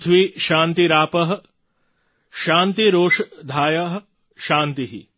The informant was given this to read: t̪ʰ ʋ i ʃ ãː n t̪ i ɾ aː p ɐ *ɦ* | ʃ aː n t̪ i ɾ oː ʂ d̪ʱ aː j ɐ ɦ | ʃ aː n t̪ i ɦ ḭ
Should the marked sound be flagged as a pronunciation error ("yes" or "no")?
no